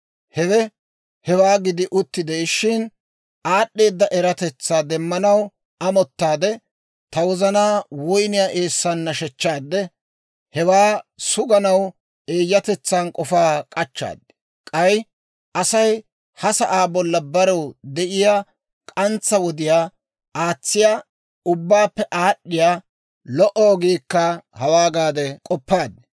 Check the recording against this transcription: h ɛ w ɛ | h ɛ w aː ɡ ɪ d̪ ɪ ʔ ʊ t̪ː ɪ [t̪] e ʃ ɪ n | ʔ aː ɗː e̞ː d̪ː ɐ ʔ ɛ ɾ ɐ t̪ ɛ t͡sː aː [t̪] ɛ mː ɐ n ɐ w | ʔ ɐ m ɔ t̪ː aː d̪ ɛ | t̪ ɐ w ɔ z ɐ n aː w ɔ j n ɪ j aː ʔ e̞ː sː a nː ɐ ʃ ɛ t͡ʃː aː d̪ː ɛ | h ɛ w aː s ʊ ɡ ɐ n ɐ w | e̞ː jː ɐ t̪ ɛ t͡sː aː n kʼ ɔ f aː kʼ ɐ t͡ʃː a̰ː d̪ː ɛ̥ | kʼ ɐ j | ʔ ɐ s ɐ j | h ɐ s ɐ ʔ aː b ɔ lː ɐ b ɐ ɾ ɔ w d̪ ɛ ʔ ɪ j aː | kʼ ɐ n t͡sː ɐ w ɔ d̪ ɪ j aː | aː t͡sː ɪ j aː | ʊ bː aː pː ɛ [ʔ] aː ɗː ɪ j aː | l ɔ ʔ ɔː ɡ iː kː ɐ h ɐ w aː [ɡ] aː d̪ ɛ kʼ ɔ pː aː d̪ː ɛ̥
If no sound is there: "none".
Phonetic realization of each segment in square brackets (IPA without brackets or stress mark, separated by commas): d̪, d̪, ʔ, ɡ